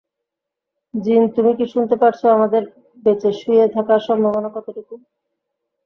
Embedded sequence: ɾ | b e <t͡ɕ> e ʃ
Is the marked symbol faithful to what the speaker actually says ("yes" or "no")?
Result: yes